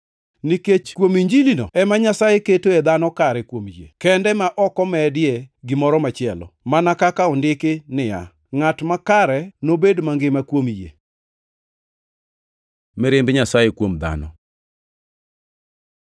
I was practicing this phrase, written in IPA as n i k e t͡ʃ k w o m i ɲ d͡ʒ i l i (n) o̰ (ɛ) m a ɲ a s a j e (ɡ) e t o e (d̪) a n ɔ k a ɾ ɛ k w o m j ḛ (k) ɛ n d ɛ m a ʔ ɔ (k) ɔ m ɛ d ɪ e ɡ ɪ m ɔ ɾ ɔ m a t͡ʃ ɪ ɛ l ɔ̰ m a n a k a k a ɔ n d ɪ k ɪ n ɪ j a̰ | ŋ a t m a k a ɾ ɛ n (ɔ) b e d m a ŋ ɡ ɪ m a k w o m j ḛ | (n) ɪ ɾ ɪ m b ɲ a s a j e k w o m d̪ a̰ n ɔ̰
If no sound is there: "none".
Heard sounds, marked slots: n, ɛ, k, d̪, k, k, o, m

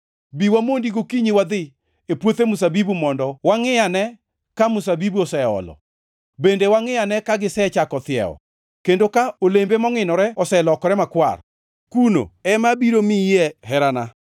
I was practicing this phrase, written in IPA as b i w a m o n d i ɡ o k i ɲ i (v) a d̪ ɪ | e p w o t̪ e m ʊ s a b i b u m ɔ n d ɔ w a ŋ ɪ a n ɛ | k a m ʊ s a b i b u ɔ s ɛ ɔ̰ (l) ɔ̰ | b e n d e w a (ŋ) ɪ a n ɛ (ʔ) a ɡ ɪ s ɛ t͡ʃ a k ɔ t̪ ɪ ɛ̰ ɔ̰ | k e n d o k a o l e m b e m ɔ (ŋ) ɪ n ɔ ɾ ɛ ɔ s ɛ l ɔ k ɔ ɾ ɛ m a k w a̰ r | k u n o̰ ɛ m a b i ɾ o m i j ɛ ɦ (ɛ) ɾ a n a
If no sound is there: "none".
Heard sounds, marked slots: w, l, ŋ, k, ŋ, ɛ

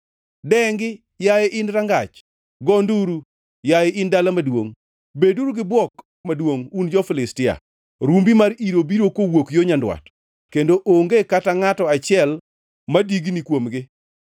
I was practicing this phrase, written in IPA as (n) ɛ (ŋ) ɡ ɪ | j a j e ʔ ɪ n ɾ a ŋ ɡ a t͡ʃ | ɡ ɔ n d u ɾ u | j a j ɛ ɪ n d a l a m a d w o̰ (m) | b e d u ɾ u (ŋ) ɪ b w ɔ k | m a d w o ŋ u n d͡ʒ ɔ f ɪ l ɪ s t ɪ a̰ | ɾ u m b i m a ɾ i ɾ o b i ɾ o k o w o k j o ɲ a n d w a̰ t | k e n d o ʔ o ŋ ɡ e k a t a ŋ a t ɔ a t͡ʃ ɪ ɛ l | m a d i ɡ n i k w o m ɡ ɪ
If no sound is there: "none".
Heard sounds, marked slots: d, ŋ, ŋ, ɡ

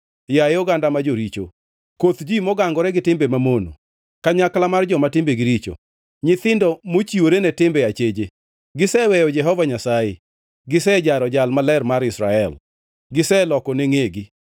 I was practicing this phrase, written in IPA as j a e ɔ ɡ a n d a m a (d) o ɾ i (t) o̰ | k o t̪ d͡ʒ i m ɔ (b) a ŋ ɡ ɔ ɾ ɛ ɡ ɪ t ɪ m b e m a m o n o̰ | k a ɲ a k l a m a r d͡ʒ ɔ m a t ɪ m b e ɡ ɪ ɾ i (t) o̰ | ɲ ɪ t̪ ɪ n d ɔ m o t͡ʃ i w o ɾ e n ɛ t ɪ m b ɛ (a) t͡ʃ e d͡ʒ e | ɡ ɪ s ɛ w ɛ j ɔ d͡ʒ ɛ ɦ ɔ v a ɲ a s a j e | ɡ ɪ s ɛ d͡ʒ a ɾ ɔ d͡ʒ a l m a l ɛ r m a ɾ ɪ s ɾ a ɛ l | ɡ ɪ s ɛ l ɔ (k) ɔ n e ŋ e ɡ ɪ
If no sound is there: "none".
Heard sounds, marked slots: d͡ʒ, t͡ʃ, ɡ, t͡ʃ, a, k

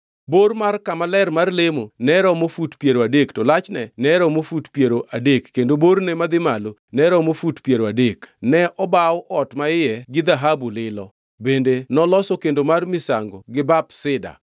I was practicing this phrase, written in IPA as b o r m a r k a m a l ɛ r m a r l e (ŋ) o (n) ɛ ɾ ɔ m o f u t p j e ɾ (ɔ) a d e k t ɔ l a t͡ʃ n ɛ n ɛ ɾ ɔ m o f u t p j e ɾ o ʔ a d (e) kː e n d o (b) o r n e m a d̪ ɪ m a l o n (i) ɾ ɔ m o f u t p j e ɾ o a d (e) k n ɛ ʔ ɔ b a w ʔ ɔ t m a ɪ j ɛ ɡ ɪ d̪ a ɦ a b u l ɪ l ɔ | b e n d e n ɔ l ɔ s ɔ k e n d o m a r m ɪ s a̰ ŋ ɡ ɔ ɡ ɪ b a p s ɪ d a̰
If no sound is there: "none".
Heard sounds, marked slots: m, n, o, e, b, ɛ, e

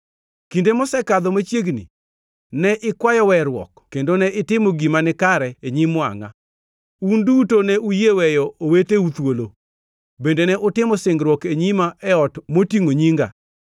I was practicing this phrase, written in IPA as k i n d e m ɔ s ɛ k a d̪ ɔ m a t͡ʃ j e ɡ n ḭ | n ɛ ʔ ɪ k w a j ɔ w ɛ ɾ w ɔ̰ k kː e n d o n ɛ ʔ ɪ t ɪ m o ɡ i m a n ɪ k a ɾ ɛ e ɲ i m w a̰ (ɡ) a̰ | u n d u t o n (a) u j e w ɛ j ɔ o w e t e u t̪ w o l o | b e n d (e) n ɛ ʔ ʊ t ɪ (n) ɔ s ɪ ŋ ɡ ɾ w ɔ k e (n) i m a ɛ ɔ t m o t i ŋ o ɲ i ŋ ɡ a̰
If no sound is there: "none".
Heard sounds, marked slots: ŋ, ɛ, e, m, ɲ

